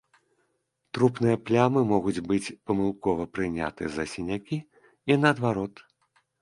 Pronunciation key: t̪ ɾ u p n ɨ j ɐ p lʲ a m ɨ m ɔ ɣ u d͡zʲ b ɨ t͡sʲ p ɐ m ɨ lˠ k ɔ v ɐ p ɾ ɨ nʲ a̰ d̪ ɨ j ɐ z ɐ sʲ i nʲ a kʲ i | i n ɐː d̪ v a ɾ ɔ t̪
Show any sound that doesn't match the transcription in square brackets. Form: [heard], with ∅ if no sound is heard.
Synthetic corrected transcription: t̪ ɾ u p n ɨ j ɐ p lʲ a m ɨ m ɔ ɣ u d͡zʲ b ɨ t͡sʲ p ɐ m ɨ lˠ k ɔ v ɐ p ɾ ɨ nʲ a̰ [t̪] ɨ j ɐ z ɐ sʲ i nʲ a kʲ i | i n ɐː d̪ v a ɾ ɔ t̪